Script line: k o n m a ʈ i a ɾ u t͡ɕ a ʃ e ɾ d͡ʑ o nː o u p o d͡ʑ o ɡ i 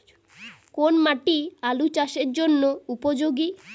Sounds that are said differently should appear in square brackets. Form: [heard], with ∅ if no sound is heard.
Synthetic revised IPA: k o n m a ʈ i a [l] u t͡ɕ a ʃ e ɾ d͡ʑ o nː o u p o d͡ʑ o ɡ i